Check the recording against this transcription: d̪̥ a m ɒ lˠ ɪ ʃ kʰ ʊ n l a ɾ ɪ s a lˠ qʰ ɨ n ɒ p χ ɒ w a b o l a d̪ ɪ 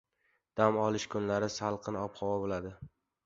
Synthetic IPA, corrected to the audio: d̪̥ a m ɒ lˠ ɪ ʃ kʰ ʊ n l a ɾ ɪ s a lˠ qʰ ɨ n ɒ p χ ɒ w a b o l a d̪ ɪ